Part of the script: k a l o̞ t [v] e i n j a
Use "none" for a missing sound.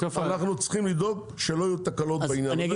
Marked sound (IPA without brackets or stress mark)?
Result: b